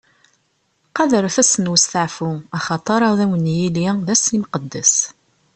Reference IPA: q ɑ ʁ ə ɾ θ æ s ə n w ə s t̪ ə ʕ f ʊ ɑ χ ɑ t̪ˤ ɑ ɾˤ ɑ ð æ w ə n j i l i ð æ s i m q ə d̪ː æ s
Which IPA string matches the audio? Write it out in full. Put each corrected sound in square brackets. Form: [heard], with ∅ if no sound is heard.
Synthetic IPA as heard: q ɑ [ð] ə ɾ θ æ s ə n w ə s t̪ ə ʕ f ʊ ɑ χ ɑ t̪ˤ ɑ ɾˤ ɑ ð æ w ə n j i l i ð æ s i m q ə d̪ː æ s